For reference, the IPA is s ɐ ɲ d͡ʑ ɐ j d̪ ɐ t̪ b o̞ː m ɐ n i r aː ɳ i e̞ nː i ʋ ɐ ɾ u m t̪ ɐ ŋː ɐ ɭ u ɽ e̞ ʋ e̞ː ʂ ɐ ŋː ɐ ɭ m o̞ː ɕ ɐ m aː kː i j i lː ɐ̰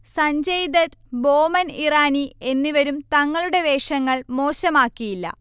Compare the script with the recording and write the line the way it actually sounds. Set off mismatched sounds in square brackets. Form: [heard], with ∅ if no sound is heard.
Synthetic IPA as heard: s ɐ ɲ d͡ʑ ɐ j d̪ ɐ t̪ b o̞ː m ɐ n i r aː [n] i e̞ nː i ʋ ɐ ɾ u m t̪ ɐ ŋː ɐ ɭ u ɽ e̞ ʋ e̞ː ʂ ɐ ŋː ɐ ɭ m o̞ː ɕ ɐ m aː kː i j i lː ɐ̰